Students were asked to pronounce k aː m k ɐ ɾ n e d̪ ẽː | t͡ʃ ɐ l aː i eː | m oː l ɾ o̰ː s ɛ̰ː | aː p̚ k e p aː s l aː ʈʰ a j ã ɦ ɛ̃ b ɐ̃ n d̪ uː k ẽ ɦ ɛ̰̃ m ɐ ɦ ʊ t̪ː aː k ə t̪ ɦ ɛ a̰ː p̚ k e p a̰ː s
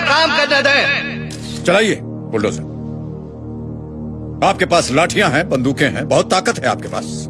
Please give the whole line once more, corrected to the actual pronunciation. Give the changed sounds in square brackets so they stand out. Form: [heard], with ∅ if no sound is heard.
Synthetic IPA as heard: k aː m k ɐ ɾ n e d̪ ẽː | t͡ʃ ɐ l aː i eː | [b] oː l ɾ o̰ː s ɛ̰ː | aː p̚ k e p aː s l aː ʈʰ [i] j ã ɦ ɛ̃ b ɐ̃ n d̪ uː k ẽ ɦ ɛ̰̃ [b] ɐ ɦ ʊ t̪ː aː k ə t̪ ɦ ɛ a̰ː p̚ k e p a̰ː s